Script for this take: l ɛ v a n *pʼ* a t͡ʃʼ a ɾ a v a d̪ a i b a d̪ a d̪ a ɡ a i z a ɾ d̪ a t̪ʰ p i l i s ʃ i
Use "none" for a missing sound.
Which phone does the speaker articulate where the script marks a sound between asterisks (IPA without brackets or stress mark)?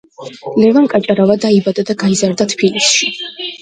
kʼ